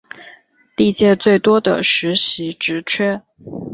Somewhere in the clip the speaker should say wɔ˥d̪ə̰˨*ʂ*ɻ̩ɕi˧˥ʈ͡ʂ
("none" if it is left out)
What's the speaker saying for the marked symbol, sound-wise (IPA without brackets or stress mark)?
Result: ʂ